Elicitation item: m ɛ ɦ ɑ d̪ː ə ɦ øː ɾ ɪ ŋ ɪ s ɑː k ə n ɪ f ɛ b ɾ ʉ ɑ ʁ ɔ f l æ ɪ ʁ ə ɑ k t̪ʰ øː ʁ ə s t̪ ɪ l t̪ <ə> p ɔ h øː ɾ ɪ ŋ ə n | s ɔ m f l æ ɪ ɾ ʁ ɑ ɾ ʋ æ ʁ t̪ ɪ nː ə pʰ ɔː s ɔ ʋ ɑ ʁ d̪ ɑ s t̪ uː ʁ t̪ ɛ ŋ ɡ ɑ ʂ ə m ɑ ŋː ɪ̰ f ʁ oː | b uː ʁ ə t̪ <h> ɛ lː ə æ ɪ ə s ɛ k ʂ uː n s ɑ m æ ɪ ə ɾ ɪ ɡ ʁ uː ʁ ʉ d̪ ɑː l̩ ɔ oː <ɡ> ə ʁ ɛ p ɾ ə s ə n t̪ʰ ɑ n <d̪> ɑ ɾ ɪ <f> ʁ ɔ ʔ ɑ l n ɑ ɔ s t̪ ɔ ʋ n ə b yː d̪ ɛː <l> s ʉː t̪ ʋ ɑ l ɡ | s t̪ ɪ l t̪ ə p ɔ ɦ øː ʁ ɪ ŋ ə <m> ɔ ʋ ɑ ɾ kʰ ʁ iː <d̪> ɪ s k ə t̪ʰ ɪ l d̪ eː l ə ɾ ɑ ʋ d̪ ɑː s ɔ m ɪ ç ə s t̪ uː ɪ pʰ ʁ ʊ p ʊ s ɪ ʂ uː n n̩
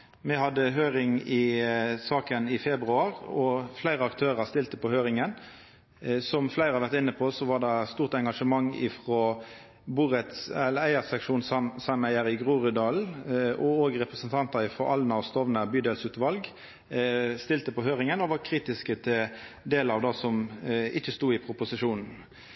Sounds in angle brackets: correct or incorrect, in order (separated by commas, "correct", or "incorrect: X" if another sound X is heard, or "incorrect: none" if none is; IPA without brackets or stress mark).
correct, incorrect: s, correct, incorrect: t̪, correct, correct, incorrect: n, incorrect: t̪